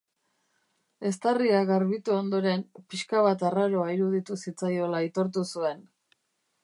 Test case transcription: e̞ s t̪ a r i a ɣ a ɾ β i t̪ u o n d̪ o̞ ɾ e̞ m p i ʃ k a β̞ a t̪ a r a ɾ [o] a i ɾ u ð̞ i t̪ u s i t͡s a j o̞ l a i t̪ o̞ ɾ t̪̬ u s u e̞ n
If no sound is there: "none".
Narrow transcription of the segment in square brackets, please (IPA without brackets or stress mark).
o